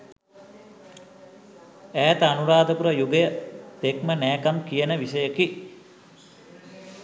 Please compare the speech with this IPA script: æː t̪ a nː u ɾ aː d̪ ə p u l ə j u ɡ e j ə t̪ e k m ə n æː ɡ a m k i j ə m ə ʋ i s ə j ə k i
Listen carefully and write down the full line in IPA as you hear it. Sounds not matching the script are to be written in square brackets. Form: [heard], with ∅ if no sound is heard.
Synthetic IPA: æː t̪ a [n] u ɾ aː d̪ ə p u [ɾ] ə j u ɡ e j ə t̪ e k m ə n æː [k] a m k i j ə [n] ə ʋ i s ə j ə k i